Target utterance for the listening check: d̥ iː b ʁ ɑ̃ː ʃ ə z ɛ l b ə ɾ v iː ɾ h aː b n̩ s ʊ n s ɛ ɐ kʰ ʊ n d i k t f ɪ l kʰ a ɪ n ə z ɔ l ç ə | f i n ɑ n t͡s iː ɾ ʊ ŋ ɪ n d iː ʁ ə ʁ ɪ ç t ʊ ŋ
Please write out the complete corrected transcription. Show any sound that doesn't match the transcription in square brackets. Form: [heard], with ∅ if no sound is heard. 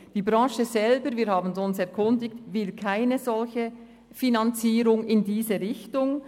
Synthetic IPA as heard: d̥ iː b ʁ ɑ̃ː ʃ ə z ɛ l b ə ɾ v iː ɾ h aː b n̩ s ʊ n s ɛ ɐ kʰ ʊ n d [ɪ] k t [v] ɪ l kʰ a ɪ n ə z ɔ l ç ə | f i n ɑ n t͡s iː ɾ ʊ ŋ ɪ n d iː [z] ə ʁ ɪ ç t ʊ ŋ